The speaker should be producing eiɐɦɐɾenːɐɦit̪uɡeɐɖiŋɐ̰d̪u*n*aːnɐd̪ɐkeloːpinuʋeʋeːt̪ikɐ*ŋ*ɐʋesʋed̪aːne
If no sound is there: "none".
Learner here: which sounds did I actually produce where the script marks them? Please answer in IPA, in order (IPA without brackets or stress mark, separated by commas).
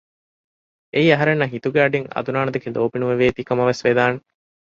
n, m